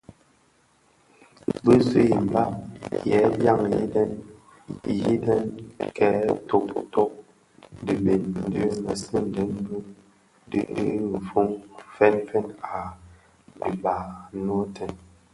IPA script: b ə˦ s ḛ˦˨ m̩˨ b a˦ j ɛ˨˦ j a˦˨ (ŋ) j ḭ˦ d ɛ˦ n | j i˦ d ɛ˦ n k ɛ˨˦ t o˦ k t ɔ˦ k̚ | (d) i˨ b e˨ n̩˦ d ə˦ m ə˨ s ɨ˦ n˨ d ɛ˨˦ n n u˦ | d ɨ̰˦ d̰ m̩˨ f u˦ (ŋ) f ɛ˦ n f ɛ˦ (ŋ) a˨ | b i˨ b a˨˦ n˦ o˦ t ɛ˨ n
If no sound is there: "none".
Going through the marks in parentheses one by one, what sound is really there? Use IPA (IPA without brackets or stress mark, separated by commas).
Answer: ŋ, d, ŋ, n